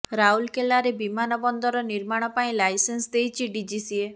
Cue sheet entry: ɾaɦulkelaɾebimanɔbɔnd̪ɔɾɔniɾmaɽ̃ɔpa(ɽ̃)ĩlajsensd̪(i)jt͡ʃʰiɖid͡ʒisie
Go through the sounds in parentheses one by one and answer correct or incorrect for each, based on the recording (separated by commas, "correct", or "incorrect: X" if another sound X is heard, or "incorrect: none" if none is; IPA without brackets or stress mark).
incorrect: none, incorrect: e